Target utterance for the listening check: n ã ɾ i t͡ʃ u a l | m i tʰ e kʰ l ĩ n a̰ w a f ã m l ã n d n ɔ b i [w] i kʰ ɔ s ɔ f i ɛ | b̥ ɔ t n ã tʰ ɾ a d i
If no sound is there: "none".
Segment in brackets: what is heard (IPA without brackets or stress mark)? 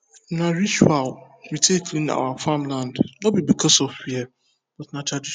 b